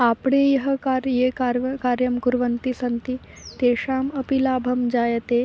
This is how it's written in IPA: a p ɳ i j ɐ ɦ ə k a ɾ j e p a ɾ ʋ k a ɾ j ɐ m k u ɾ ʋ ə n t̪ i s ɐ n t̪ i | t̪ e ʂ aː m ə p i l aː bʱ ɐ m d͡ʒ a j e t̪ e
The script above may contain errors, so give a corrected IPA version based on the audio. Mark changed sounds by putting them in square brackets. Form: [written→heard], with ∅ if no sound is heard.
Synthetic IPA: a p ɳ [i→e] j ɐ ɦ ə k a ɾ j e [p→k] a ɾ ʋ k a ɾ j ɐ m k u ɾ ʋ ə n t̪ i s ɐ n t̪ i | t̪ e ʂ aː m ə p i l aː bʱ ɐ m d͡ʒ a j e t̪ e

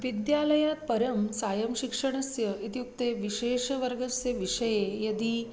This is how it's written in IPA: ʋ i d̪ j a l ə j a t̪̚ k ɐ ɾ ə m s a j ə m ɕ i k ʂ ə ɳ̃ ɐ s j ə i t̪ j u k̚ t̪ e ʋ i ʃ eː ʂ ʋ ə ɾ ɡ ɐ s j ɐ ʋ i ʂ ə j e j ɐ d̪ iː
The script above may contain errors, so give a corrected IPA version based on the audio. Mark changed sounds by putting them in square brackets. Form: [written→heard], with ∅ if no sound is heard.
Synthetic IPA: ʋ i d̪ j a l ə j a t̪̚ [k→p] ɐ ɾ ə m s a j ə m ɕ i k ʂ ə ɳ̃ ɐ s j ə i t̪ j u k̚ t̪ e ʋ i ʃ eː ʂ ʋ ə ɾ ɡ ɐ s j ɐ ʋ i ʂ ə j e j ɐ d̪ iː

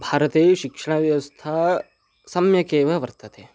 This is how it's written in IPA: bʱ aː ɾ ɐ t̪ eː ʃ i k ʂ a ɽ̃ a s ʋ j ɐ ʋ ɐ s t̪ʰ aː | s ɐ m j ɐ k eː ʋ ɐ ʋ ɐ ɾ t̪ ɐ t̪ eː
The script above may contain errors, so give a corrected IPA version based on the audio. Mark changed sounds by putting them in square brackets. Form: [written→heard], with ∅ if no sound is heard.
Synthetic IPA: bʱ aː ɾ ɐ t̪ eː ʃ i k ʂ [a→ɐ] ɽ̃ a [s→∅] ʋ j ɐ ʋ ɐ s t̪ʰ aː | s ɐ m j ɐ k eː ʋ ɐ ʋ ɐ ɾ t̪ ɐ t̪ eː

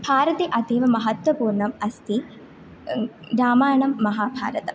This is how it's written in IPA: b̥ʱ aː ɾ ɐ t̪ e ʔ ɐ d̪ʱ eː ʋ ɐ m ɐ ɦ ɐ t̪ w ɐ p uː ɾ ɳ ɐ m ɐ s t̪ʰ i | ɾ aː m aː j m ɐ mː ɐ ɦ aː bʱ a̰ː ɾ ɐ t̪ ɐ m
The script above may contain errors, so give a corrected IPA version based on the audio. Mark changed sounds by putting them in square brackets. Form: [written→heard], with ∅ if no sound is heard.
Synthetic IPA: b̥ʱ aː ɾ ɐ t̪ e ʔ ɐ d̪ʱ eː ʋ ɐ m ɐ ɦ ɐ t̪ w ɐ p uː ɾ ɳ ɐ m ɐ s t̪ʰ i | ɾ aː m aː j [m→ɳ] ɐ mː ɐ ɦ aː bʱ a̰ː ɾ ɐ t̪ ɐ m

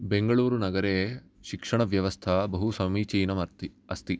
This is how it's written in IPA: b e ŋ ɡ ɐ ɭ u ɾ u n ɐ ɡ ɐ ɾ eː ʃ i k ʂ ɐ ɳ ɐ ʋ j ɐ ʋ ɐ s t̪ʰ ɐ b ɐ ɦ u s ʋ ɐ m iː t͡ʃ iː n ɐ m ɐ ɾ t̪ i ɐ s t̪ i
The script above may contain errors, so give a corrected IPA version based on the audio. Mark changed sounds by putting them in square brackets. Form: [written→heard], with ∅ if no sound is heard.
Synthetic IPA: b e ŋ ɡ ɐ ɭ [u→uː] ɾ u n ɐ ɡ ɐ ɾ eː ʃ i k ʂ ɐ ɳ ɐ ʋ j ɐ ʋ ɐ s t̪ʰ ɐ b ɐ ɦ u s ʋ ɐ m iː t͡ʃ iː n ɐ m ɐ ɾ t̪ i ɐ s t̪ i

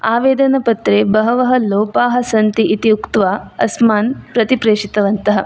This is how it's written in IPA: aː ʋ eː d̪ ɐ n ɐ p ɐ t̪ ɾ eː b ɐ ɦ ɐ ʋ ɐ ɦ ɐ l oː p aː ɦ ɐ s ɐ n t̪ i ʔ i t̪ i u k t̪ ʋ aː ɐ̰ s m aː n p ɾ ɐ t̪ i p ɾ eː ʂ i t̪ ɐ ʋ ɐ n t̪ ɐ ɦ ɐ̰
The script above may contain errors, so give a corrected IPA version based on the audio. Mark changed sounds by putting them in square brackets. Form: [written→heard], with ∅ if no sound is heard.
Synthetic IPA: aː ʋ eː d̪ ɐ n ɐ p ɐ t̪ ɾ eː b ɐ ɦ ɐ ʋ ɐ ɦ ɐ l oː p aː ɦ ɐ s ɐ n t̪ i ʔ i t̪ i u k t̪ ʋ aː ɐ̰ s m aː n p ɾ ɐ t̪ i p ɾ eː ʂ i t̪ ɐ ʋ ɐ n t̪ ɐ ɦ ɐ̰

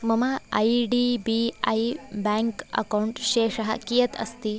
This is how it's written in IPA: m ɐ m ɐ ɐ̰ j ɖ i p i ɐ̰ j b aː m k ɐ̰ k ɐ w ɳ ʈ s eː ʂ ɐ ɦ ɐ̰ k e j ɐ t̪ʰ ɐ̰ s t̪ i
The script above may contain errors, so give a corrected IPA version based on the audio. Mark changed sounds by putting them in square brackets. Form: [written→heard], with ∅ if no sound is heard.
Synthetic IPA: m ɐ m ɐ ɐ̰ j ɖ i [p→b] i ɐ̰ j b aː [m→ŋ] k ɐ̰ k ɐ w ɳ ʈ [s→ʃ] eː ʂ ɐ ɦ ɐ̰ k [e→i] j ɐ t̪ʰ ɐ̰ s t̪ i

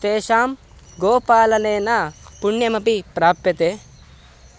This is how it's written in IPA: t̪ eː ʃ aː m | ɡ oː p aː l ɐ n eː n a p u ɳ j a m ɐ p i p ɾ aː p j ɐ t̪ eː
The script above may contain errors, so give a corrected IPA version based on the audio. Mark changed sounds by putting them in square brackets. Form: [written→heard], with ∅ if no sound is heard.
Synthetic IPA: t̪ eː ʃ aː m | ɡ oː p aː l ɐ n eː n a p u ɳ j [a→ɐ] m ɐ p i p ɾ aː p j ɐ t̪ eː

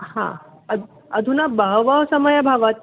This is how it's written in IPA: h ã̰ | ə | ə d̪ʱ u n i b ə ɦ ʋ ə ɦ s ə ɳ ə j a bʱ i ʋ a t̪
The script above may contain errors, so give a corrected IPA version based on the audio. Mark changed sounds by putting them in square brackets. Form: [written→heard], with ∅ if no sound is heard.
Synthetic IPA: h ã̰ | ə | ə d̪ʱ u n [i→a] b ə ɦ ʋ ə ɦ s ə [ɳ→m] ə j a bʱ [i→a] ʋ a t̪

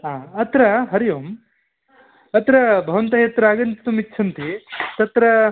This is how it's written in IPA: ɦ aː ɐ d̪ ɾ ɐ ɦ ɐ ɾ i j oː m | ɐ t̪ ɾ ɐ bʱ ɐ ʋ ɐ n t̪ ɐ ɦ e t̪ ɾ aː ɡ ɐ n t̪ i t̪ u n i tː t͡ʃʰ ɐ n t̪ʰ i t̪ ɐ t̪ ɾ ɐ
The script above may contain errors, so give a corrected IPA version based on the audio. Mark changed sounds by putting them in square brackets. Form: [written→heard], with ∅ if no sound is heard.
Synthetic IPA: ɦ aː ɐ [d̪→t̪] ɾ ɐ ɦ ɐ ɾ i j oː m | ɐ t̪ ɾ ɐ bʱ ɐ ʋ ɐ n t̪ ɐ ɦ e t̪ ɾ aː ɡ ɐ n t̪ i t̪ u [n→m] i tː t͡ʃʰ ɐ n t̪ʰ i t̪ ɐ t̪ ɾ ɐ

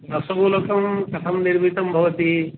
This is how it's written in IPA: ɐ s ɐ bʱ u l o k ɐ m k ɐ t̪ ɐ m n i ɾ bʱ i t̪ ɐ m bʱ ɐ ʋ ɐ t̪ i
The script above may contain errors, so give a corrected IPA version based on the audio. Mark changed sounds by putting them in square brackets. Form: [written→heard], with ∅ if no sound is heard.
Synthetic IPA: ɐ s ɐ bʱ u l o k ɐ m k ɐ [t̪→t̪ʰ] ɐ m n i ɾ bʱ i t̪ ɐ m bʱ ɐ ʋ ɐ t̪ i

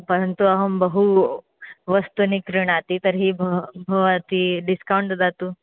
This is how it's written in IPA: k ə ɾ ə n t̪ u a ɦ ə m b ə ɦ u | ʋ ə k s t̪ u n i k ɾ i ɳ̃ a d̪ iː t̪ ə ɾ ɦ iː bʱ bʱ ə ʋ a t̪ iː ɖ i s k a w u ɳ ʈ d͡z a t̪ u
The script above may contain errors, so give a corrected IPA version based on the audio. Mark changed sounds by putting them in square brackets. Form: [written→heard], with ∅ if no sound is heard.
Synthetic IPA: [k→p] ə ɾ ə n t̪ u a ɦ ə m b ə ɦ u | ʋ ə [k→∅] s t̪ u n i k ɾ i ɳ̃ a [d̪→t̪] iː t̪ ə ɾ ɦ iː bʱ bʱ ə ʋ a t̪ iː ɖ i s k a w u ɳ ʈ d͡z a t̪ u

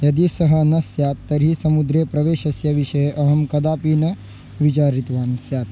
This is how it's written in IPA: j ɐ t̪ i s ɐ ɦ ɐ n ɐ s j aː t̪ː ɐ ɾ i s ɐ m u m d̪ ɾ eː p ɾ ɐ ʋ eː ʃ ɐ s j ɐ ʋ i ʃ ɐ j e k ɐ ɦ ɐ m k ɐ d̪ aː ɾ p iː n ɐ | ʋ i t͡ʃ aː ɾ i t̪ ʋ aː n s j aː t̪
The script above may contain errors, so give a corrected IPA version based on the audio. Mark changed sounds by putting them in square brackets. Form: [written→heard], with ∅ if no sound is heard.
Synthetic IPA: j ɐ [t̪→d̪] i s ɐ ɦ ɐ n ɐ s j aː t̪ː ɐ ɾ i s ɐ m u [m→∅] d̪ ɾ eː p ɾ ɐ ʋ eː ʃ ɐ s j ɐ ʋ i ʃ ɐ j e [k→ʔ] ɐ ɦ ɐ m k ɐ d̪ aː [ɾ→∅] p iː n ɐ | ʋ i t͡ʃ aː ɾ i t̪ ʋ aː n s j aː t̪

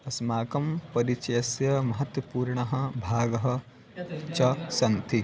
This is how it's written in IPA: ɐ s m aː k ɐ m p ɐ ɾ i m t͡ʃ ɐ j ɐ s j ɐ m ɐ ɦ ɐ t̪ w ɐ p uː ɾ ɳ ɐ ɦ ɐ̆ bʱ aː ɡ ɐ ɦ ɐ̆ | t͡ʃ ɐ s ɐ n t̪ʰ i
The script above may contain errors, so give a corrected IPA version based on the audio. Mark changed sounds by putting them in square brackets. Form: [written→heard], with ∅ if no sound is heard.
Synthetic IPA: ɐ s m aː k ɐ m p ɐ ɾ i [m→∅] t͡ʃ ɐ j ɐ s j ɐ m ɐ ɦ ɐ t̪ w ɐ p uː ɾ ɳ ɐ ɦ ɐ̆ bʱ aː ɡ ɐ ɦ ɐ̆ | t͡ʃ ɐ s ɐ n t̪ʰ i

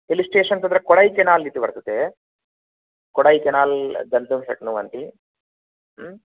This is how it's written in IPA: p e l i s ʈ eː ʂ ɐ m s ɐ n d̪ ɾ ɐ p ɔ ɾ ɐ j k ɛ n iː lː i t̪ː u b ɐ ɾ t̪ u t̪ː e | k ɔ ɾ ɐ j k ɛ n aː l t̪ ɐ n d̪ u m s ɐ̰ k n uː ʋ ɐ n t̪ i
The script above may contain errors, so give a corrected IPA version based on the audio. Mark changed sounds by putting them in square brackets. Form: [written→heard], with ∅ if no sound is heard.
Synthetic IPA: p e l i s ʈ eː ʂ ɐ [m→n] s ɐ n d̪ ɾ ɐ [p→k] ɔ [ɾ→ɽ] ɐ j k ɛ n [iː→aː] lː i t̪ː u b ɐ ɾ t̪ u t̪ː e | k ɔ [ɾ→ɽ] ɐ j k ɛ n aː l [t̪→d̪] ɐ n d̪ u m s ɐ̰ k n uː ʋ ɐ n t̪ i

